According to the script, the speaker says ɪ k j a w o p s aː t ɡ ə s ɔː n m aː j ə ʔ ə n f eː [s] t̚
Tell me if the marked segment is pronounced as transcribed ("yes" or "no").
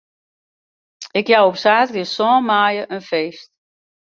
yes